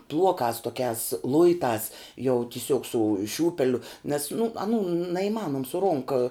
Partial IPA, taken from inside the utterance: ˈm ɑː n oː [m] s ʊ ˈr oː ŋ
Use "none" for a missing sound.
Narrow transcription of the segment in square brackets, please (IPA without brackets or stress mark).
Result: m